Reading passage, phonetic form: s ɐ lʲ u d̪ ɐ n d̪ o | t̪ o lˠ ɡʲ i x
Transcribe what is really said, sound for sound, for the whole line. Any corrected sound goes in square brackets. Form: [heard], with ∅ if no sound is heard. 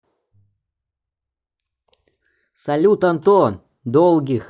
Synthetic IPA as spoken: s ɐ lʲ u [t̪] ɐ n [t̪] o | [d̪] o lˠ ɡʲ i x